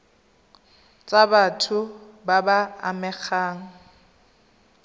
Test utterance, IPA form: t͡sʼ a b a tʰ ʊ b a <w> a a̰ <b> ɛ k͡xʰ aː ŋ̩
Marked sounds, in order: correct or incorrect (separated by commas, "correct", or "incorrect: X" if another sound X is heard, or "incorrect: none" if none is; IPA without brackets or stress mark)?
incorrect: b, incorrect: m